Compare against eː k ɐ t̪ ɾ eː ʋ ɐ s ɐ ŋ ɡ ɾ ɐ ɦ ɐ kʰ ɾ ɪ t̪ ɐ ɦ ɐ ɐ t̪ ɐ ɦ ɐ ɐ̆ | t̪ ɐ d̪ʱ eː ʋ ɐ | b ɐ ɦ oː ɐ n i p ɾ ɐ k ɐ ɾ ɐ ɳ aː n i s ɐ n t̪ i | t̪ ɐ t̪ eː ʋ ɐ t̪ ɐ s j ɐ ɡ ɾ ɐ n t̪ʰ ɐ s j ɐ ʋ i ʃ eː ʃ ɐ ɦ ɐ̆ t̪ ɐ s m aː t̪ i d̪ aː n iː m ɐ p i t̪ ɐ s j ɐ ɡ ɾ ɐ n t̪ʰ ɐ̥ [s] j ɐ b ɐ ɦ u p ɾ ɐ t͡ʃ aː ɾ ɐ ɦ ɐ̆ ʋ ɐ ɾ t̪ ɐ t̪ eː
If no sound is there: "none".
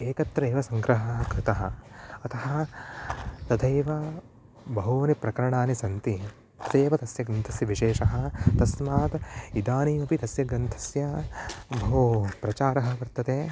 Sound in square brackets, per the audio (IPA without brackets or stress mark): s